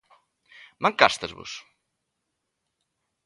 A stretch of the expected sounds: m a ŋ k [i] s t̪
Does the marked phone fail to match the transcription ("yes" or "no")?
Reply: yes